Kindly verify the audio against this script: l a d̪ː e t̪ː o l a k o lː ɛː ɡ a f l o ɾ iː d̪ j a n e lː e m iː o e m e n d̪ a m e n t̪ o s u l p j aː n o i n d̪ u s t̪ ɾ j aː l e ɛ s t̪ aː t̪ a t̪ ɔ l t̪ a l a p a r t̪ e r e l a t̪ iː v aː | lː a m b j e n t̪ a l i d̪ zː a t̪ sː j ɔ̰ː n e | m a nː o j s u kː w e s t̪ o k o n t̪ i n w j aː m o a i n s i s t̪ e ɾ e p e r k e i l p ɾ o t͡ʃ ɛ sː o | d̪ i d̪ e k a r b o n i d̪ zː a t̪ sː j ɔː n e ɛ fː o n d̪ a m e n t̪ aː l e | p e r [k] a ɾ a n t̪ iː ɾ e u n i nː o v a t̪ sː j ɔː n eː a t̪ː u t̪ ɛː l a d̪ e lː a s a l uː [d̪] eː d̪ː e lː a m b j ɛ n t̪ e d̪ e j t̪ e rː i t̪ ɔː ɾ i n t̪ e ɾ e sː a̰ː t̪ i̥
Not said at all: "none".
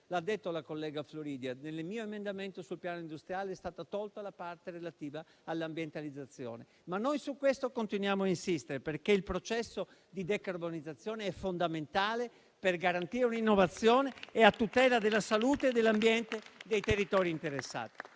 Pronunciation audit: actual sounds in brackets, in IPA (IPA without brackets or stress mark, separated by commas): ɡ, t̪